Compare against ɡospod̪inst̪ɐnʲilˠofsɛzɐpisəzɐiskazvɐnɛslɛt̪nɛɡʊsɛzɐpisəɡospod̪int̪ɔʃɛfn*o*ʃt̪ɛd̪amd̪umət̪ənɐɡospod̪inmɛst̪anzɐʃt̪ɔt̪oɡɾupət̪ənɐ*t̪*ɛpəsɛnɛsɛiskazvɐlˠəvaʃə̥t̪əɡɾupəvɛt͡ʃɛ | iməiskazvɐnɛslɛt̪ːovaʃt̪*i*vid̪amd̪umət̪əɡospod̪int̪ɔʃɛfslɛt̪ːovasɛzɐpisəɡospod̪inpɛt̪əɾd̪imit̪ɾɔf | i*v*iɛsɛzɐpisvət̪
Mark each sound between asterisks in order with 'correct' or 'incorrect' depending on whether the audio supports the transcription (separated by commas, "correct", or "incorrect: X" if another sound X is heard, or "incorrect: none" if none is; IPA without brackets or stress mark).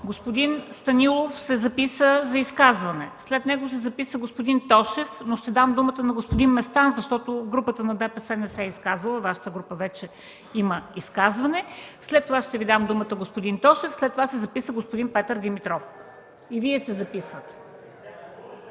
correct, incorrect: d̪, incorrect: ɛ, correct